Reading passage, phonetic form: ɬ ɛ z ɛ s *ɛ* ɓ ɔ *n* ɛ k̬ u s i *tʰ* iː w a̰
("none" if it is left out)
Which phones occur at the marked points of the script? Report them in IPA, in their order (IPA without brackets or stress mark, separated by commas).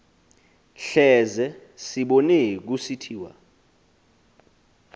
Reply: i, n, tʰ